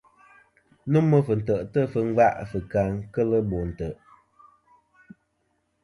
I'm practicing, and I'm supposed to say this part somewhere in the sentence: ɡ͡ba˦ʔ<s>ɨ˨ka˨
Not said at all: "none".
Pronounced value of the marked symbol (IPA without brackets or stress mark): f